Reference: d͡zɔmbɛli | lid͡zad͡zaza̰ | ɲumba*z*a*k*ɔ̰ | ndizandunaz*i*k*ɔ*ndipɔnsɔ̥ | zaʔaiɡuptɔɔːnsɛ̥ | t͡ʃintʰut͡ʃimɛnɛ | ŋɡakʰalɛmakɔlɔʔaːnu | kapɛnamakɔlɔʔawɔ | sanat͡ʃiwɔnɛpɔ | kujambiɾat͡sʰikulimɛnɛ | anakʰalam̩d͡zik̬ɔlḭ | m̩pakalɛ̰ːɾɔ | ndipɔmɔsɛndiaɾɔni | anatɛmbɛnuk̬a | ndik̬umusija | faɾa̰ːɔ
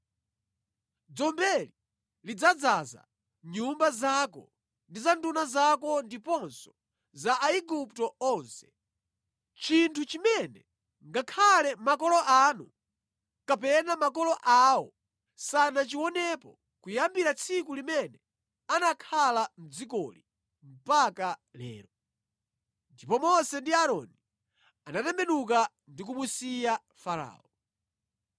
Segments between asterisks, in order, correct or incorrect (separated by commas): correct, correct, incorrect, correct